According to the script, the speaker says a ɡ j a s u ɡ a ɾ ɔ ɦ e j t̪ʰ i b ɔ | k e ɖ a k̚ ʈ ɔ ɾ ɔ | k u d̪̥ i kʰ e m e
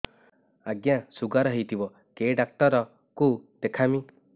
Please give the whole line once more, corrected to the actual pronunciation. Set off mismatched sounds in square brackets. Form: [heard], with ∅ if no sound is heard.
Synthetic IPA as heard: a ɡ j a s u ɡ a ɾ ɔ ɦ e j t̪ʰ i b ɔ | k e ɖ a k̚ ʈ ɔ ɾ ɔ | k u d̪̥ [e] kʰ [a] m [i]

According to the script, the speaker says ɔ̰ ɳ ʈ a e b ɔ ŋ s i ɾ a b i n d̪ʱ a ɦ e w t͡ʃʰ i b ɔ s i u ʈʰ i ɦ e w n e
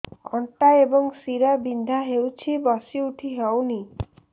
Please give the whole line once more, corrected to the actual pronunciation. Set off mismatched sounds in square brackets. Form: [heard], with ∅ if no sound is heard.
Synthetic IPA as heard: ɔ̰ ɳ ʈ a e b ɔ ŋ s i ɾ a b i n d̪ʱ a ɦ e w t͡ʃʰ i b ɔ s i u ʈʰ i ɦ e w n [i]

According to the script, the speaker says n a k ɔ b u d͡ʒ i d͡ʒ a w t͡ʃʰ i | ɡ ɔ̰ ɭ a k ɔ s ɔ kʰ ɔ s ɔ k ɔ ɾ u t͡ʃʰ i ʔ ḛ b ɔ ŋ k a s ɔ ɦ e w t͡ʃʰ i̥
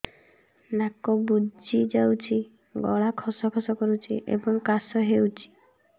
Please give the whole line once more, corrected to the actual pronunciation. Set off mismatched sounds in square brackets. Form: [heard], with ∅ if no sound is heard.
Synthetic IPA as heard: n a k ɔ b u d͡ʒ i d͡ʒ a w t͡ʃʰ i | ɡ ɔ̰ ɭ a [kʰ] ɔ s ɔ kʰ ɔ s ɔ k ɔ ɾ u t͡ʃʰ i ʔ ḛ b ɔ ŋ k a s ɔ ɦ e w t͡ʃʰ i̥

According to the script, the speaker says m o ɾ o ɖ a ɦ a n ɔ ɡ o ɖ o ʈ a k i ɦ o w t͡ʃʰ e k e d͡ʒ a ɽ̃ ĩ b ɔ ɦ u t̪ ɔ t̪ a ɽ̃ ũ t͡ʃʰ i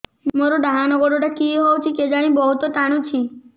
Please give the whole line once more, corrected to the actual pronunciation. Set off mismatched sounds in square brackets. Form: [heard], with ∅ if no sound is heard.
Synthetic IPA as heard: m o ɾ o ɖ a ɦ a n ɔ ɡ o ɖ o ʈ a k i ɦ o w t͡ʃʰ [i] k e d͡ʒ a ɽ̃ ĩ b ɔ ɦ u t̪ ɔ t̪ a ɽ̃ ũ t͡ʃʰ i

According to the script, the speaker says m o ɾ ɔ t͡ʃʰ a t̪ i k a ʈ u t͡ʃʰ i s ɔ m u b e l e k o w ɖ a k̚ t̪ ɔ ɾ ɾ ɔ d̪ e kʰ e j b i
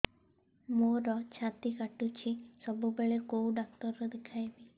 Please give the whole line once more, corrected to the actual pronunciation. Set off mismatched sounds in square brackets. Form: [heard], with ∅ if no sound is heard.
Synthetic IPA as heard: m o ɾ ɔ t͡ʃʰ a t̪ i k a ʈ u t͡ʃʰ i s ɔ [b] u b e [ɭ] e k o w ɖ a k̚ t̪ ɔ ɾ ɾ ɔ d̪ e kʰ [a] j b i

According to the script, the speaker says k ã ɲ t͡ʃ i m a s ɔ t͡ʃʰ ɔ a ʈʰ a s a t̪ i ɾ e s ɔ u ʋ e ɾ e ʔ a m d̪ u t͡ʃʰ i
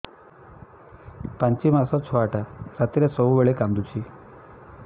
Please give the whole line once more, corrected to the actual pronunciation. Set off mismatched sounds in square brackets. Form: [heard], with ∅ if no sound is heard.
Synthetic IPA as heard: [p] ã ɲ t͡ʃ i m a s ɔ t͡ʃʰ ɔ a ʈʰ a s a t̪ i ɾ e s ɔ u ʋ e [ɭ] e [k] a m d̪ u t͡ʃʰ i

